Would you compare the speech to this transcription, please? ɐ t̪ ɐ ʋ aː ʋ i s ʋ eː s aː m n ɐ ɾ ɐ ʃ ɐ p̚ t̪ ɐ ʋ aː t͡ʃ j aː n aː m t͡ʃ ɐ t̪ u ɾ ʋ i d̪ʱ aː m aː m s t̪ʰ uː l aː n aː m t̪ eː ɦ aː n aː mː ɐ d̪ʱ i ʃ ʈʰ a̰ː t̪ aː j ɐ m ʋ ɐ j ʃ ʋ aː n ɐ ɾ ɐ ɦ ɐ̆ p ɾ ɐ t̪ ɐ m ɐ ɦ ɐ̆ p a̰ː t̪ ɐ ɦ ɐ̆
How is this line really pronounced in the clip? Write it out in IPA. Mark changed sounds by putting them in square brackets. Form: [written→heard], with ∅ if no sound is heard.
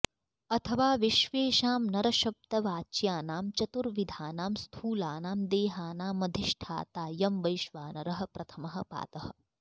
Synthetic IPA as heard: ɐ [t̪→t̪ʰ] ɐ ʋ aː ʋ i [s→ʃ] ʋ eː [s→ʃ] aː m n ɐ ɾ ɐ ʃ ɐ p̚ t̪ ɐ ʋ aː t͡ʃ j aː n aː m t͡ʃ ɐ t̪ u ɾ ʋ i d̪ʱ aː [m→n] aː m s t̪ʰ uː l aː n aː m [t̪→d̪] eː ɦ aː n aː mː ɐ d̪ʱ i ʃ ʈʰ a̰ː t̪ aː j ɐ m ʋ ɐ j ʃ ʋ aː n ɐ ɾ ɐ ɦ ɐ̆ p ɾ ɐ [t̪→t̪ʰ] ɐ m ɐ ɦ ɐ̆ p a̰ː t̪ ɐ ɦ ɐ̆